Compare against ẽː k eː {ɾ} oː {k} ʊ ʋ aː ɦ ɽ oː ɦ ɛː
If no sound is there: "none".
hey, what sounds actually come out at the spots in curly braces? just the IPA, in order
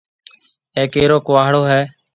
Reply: ɾ, k

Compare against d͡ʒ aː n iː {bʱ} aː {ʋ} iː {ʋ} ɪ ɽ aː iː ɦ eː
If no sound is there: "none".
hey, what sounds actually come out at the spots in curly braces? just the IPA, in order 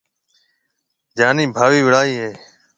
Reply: bʱ, ʋ, ʋ

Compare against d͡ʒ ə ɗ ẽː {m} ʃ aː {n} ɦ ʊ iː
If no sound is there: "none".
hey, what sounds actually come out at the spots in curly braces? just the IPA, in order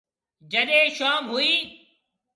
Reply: none, m

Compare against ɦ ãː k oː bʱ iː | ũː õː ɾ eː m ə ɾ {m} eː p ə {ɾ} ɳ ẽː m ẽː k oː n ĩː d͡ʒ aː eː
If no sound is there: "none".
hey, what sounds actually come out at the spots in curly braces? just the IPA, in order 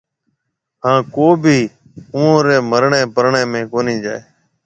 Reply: ɳ, ɾ

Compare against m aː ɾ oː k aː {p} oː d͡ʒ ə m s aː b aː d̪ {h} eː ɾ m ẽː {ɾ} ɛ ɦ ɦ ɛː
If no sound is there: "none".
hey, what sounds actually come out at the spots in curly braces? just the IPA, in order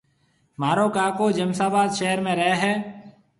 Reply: k, ʃ, ɾ

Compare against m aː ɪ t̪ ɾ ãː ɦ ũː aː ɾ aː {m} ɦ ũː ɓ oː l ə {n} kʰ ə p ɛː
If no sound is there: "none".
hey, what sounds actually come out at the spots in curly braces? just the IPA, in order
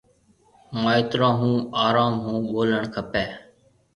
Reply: m, ɳ

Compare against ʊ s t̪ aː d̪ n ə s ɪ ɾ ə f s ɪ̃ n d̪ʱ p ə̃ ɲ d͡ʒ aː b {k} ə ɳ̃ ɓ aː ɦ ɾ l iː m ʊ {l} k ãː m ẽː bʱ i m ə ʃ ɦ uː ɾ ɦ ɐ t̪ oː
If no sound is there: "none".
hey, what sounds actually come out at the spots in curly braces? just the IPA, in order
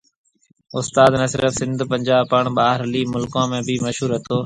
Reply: p, l

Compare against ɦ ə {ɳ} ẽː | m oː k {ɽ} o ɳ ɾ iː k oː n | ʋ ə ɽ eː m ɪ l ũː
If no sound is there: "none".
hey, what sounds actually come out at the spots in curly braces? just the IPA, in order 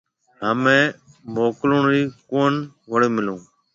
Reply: m, l

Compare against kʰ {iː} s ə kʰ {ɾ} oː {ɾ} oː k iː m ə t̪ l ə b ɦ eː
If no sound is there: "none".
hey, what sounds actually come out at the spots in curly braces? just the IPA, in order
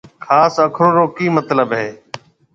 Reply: aː, ɾ, ɾ

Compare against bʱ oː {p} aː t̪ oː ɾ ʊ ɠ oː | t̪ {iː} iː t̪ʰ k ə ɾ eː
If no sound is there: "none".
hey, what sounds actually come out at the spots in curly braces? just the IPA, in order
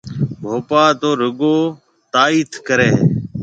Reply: p, aː

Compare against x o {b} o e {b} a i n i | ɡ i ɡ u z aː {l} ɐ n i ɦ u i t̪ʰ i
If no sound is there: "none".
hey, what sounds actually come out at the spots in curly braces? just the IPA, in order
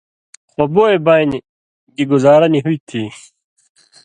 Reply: b, b, ɾ

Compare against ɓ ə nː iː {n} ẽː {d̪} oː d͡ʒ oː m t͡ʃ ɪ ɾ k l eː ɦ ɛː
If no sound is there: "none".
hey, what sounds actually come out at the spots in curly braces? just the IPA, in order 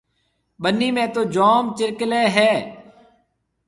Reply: m, t̪

